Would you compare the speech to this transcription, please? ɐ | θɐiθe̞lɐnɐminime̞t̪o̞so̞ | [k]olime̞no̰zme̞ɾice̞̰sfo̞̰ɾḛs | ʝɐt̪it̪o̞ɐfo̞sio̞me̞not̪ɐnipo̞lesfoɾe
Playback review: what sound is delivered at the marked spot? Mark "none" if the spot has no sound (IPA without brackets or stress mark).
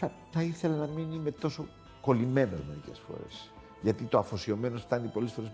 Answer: k